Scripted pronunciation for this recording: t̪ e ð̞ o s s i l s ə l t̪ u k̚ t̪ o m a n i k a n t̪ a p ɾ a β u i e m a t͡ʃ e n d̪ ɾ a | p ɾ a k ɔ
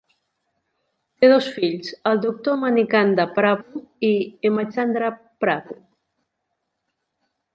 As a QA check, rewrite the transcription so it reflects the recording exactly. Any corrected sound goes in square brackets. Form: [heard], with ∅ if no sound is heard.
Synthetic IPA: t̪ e ð̞ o s [f] i [ʎ] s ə l [d̪] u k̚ t̪ o m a n i k a n [d̪] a p ɾ a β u i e m a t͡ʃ [a] n d̪ ɾ a | p ɾ a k [u]